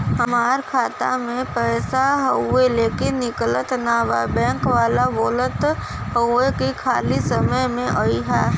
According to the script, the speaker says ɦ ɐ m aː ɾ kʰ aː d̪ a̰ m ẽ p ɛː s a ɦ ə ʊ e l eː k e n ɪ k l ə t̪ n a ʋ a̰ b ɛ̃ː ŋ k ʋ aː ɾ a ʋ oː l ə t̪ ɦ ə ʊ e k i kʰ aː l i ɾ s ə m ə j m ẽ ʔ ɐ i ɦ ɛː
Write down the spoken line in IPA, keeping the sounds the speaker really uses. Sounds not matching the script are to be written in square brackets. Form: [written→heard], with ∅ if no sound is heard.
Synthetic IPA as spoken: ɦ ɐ m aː ɾ kʰ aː [d̪→t̪] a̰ m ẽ p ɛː s a ɦ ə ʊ e l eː k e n ɪ k l ə t̪ n a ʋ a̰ b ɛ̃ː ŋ k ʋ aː [ɾ→l] a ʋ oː l ə t̪ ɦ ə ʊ e k i kʰ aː l i [ɾ→∅] s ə m ə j m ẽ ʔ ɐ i ɦ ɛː